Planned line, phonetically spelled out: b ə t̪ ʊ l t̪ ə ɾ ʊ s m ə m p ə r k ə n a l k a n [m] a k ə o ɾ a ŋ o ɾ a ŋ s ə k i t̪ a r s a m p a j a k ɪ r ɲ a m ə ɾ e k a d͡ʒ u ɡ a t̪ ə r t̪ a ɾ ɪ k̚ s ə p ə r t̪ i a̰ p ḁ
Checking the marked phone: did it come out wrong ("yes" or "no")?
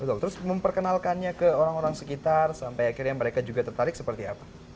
yes